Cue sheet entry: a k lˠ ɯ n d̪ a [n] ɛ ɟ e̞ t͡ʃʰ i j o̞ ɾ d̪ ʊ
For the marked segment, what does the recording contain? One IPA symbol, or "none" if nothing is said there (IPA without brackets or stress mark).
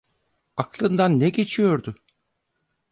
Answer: nː